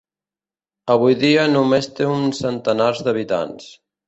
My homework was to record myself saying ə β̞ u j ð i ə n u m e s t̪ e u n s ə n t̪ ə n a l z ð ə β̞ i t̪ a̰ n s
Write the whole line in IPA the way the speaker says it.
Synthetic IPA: ə β̞ u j ð i ə n u m e s t̪ e u n s ə n t̪ ə n a ɾ z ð ə β̞ i t̪ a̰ n s